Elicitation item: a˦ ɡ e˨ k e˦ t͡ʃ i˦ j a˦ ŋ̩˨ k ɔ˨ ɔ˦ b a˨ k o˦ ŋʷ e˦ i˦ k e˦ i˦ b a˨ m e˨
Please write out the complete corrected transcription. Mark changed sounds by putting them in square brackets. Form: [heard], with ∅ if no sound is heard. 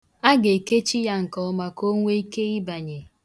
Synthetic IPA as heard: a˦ ɡ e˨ k e˦ t͡ʃ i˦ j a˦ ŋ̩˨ k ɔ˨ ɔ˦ [m] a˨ k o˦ ŋʷ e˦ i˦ k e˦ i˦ b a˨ [ɲ] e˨

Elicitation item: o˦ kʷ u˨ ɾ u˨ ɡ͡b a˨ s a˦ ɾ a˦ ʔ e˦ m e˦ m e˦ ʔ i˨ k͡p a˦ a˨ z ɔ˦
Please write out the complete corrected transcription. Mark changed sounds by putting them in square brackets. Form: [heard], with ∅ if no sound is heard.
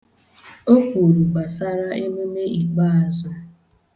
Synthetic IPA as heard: o˦ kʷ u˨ ɾ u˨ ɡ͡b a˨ s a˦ ɾ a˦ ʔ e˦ m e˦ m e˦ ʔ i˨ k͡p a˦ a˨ z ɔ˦

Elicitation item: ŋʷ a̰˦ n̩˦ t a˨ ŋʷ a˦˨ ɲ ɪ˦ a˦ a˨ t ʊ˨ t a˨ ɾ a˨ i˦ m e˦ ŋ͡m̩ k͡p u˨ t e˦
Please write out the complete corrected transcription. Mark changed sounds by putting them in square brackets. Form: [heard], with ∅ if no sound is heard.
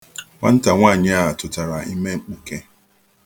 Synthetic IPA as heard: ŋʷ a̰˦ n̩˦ t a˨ ŋʷ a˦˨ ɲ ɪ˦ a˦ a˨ t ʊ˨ t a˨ ɾ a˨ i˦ m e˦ ŋ͡m̩ k͡p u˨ [k] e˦

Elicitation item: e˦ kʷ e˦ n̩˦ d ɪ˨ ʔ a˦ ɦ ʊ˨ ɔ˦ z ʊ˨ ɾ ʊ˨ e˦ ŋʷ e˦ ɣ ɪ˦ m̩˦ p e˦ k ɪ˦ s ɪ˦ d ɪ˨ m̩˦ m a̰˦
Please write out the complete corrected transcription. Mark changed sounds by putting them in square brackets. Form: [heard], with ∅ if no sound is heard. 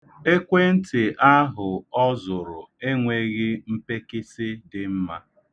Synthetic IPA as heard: e˦ kʷ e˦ n̩˦ [t] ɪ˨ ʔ a˦ ɦ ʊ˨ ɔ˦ z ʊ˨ ɾ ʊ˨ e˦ ŋʷ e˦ ɣ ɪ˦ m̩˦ p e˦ k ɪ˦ s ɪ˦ d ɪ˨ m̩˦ m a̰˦

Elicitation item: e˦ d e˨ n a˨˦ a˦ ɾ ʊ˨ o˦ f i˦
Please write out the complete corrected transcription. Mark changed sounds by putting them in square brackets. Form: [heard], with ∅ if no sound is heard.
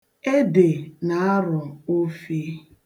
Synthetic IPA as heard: e˦ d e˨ n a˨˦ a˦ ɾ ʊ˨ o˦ f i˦

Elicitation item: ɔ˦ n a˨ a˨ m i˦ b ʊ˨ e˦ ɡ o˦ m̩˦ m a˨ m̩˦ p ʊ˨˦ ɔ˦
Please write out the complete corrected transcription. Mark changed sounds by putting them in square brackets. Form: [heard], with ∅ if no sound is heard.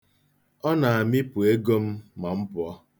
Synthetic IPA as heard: ɔ˦ n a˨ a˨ m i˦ [p] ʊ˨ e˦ ɡ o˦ m̩˦ m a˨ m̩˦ p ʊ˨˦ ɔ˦

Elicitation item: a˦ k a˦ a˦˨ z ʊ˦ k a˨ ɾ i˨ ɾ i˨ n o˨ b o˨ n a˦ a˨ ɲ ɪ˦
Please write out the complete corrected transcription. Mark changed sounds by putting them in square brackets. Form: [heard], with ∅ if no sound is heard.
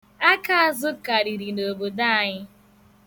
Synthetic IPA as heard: a˦ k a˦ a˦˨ z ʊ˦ k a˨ ɾ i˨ ɾ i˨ n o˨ b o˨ [d] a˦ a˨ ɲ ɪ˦

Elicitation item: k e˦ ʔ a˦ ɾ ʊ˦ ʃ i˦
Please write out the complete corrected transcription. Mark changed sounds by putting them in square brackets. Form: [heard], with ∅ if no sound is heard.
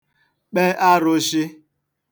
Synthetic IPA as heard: [k͡p] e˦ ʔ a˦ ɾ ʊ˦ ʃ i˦

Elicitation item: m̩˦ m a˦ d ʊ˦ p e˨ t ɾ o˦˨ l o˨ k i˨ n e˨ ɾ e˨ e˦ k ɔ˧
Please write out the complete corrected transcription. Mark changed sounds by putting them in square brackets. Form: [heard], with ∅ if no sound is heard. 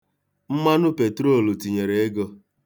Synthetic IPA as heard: m̩˦ m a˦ [n] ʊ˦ p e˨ t ɾ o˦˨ l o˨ [t] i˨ [ɲ] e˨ ɾ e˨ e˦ [ɡ] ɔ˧

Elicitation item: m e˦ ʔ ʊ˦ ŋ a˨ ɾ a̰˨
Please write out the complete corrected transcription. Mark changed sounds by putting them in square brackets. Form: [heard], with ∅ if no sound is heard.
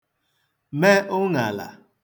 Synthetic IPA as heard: m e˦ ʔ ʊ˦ ŋ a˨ [l] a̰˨

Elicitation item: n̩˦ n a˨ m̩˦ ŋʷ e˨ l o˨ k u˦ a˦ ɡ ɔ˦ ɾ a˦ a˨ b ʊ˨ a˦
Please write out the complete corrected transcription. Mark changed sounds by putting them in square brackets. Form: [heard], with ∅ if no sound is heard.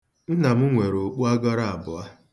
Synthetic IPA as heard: n̩˦ n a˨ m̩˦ ŋʷ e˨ [ɾ] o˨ [k͡p] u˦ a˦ ɡ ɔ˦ ɾ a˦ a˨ b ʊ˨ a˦

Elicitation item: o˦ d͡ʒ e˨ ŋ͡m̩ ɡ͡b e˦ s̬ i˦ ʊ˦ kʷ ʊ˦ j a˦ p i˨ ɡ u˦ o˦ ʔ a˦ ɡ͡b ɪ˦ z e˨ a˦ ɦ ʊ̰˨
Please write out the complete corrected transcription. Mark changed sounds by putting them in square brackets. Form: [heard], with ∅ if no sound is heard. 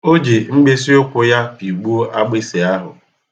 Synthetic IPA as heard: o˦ d͡ʒ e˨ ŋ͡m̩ ɡ͡b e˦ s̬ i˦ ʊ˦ kʷ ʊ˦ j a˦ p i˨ [ɡ͡b] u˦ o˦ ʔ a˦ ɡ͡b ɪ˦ [s] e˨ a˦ ɦ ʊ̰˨

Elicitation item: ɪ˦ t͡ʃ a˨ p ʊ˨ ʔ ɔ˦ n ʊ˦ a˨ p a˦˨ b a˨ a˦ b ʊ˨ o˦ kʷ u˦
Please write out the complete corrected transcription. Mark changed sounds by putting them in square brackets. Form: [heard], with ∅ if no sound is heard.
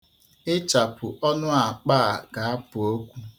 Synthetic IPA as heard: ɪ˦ t͡ʃ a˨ p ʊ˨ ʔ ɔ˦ n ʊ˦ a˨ [k͡p] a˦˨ [ɡ] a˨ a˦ [p] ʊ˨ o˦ kʷ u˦

